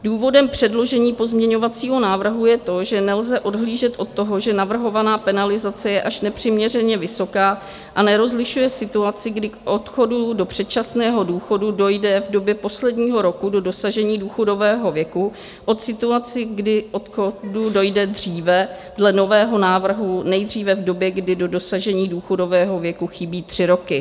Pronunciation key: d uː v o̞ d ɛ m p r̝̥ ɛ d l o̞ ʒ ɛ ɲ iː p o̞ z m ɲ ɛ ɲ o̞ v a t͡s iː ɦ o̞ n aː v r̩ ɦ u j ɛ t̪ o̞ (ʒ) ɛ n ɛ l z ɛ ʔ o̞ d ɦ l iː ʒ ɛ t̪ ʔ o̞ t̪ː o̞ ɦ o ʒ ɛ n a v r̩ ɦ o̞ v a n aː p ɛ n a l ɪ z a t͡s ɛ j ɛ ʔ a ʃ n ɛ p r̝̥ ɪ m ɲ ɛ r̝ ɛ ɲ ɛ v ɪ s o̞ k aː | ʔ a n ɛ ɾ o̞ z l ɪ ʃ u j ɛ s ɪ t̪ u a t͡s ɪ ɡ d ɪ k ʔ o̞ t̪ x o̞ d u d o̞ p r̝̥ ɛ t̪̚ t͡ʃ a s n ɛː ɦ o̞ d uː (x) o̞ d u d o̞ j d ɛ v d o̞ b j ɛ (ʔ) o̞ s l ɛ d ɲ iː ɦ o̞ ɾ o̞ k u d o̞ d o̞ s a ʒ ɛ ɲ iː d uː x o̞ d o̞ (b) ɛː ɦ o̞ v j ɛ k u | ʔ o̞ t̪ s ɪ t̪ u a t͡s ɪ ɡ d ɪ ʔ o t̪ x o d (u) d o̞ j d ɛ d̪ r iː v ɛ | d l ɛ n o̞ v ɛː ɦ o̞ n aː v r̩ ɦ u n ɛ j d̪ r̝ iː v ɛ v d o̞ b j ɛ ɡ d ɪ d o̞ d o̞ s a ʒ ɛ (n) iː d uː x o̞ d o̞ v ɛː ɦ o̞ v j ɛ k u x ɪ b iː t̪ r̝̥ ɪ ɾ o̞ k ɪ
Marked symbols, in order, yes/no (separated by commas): yes, yes, no, no, yes, no